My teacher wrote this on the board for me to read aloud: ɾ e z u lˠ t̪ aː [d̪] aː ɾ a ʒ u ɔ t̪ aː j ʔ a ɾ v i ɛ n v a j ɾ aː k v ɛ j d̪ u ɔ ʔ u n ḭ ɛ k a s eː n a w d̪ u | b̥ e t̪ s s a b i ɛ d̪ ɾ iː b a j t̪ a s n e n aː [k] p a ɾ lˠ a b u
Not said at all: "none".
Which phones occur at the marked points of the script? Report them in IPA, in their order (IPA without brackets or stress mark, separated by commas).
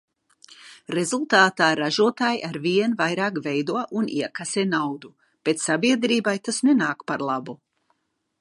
t̪, k